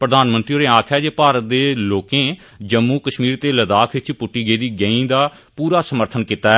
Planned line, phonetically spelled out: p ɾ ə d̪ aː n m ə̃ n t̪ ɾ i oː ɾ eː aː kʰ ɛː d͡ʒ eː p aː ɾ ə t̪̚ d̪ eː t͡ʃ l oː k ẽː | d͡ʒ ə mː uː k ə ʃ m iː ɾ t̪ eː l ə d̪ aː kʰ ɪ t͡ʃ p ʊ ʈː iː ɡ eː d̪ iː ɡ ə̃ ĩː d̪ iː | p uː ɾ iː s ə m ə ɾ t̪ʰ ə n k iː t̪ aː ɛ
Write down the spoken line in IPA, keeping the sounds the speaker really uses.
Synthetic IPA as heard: p ɾ ə d̪ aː n m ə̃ n t̪ ɾ i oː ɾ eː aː kʰ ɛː d͡ʒ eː p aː ɾ ə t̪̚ d̪ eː l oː k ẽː | d͡ʒ ə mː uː k ə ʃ m iː ɾ t̪ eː l ə d̪ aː kʰ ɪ t͡ʃ p ʊ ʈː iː ɡ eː d̪ iː ɡ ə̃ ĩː d̪ aː | p uː ɾ aː s ə m ə ɾ t̪ʰ ə n k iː t̪ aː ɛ